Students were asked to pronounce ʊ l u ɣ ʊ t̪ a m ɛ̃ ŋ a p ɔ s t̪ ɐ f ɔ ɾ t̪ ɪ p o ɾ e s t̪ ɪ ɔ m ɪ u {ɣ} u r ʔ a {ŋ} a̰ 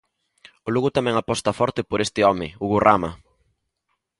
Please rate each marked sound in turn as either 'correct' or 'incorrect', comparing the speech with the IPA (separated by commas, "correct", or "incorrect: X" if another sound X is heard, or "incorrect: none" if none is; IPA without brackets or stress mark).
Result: correct, incorrect: m